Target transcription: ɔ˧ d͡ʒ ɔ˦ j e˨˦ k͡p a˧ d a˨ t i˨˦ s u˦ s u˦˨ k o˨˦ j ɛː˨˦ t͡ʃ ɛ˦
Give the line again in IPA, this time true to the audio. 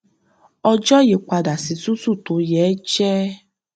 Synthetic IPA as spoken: ɔ˧ d͡ʒ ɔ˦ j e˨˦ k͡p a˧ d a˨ s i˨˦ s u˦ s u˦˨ t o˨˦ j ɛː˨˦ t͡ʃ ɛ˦